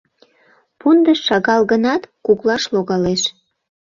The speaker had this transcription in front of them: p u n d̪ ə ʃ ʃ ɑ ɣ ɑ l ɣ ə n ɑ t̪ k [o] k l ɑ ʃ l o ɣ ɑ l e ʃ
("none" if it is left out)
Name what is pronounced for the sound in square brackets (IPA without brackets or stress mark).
u